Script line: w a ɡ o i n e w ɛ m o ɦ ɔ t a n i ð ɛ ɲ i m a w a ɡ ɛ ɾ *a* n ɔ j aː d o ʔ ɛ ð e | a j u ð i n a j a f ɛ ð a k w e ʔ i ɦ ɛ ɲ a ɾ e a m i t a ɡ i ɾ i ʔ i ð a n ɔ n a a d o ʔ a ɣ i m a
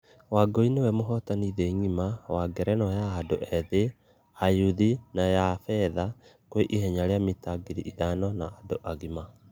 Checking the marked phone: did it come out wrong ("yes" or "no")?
yes